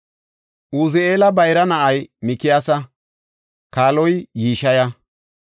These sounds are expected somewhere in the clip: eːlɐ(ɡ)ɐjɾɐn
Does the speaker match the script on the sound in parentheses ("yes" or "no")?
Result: no